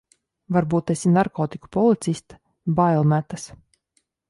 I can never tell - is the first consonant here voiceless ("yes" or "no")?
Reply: no